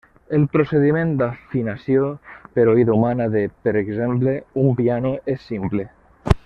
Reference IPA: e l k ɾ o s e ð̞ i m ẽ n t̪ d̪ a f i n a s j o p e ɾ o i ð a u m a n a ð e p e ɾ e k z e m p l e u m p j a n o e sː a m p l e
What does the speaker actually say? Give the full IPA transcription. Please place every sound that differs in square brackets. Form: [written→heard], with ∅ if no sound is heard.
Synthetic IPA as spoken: e l [k→p] ɾ o s e ð̞ i m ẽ n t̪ d̪ a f i n a s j o p e ɾ o i ð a u m a n a ð e p e ɾ e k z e m p l e u m p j a n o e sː [a→i] m p l e

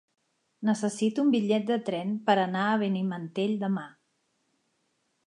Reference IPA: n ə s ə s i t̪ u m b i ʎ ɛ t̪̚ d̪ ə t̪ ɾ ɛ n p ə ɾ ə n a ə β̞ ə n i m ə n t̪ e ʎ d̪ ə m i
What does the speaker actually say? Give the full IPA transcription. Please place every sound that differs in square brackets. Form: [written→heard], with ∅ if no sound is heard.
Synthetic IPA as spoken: n ə s ə s i t̪ u m b i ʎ ɛ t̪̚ d̪ ə t̪ ɾ ɛ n p ə ɾ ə n a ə β̞ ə n i m ə n t̪ e ʎ d̪ ə m [i→a]

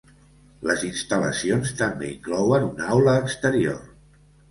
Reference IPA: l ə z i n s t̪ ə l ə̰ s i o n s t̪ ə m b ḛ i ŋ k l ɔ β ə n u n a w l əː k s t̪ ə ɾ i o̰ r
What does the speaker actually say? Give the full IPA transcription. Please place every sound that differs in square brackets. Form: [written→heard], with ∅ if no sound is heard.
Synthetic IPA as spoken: l ə z i n s t̪ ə l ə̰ s i o n s t̪ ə m b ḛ i ŋ k l ɔ [β→w] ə n u n a w l əː k s t̪ ə ɾ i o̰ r

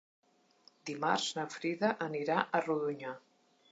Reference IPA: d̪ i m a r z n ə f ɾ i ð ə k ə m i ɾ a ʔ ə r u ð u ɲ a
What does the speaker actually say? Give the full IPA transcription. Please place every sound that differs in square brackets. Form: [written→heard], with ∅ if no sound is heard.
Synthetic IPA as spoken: d̪ i m a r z n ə f ɾ i ð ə [k→ʔ] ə [m→n] i ɾ a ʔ ə r u ð u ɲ a

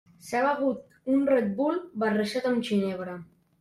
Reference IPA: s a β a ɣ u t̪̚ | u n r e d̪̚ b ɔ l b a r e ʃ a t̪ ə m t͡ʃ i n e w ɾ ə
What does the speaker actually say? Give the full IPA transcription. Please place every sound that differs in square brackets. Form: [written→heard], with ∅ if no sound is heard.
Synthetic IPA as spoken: s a β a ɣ u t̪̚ | u n r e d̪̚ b [ɔ→u] l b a r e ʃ a t̪ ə m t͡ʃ i n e [w→β] ɾ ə

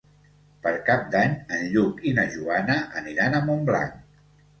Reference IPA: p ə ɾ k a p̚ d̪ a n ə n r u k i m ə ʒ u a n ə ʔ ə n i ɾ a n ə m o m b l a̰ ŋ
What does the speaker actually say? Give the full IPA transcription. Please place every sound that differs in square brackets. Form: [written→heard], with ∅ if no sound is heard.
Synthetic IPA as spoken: p ə ɾ k a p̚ d̪ a [n→ɲ] ə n [r→ʎ] u k i [m→n] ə ʒ u a n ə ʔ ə n i ɾ a n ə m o m b l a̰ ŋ

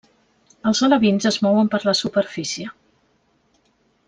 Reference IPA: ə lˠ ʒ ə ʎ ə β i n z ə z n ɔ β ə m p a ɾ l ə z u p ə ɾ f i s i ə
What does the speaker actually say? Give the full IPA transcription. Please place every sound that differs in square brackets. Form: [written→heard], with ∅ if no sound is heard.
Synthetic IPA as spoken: ə lˠ [ʒ→z] ə [ʎ→l] ə β i n z ə z [n→m] ɔ [β→w] ə m p [a→ə] ɾ l ə [z→s] u p ə ɾ f i s i ə

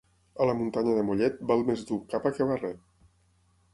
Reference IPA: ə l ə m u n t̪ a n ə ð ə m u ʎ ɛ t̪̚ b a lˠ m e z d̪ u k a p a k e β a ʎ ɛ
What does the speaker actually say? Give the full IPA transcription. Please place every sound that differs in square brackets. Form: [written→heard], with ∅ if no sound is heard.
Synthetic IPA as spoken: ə l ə m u n t̪ a [n→ɲ] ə ð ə m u ʎ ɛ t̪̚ b a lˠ m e z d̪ u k a p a k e β a [ʎ→r] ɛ

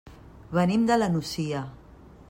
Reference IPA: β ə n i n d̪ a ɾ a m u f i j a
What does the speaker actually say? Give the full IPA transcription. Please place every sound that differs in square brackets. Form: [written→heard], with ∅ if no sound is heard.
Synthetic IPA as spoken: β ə n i [n→m] d̪ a [ɾ→l] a [m→n] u [f→s] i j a

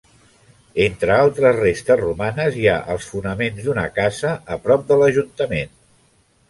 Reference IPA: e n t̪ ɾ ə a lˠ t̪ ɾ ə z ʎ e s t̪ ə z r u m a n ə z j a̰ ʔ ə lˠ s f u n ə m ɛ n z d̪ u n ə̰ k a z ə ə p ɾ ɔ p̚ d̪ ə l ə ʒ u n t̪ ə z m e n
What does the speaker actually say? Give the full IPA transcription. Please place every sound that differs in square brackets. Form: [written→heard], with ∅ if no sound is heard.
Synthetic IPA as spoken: e n t̪ ɾ ə a lˠ t̪ ɾ ə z [ʎ→r] e s t̪ ə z r u m a n ə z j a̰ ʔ ə lˠ s f u n ə m [ɛ→e] n z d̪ u n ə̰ k a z ə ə p ɾ ɔ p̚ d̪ ə l ə ʒ u n t̪ ə [z→∅] m e n

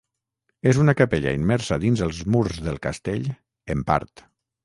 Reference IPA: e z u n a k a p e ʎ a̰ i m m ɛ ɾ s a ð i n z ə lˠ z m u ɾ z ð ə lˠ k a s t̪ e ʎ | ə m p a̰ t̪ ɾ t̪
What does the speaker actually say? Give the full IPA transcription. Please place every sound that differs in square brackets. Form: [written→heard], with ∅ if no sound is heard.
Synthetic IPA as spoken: e z u n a k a p e ʎ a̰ i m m ɛ ɾ s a ð i n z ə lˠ z m u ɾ z ð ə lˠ k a s t̪ e ʎ | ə m p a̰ [t̪→∅] ɾ t̪

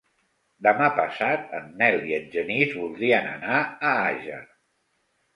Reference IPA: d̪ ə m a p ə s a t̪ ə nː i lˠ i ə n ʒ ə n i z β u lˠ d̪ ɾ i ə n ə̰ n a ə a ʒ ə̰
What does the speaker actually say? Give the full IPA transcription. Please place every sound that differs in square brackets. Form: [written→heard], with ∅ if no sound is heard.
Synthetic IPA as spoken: d̪ ə m a p ə s a t̪ ə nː [i→ɛ] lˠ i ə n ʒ ə n i z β u lˠ d̪ ɾ i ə n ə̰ n a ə a ʒ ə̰

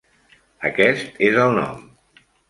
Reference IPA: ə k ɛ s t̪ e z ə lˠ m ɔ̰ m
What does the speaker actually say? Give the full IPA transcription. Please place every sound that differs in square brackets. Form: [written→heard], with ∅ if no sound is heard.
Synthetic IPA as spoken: ə k ɛ s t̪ e z ə lˠ [m→n] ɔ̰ m

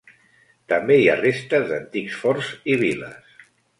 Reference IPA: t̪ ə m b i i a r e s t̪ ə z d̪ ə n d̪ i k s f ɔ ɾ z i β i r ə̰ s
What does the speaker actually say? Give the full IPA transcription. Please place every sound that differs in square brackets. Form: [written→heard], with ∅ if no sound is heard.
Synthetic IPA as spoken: t̪ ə m b [i→e] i a r e s t̪ ə z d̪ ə n [d̪→t̪] i k s f ɔ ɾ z i β i [r→l] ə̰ s

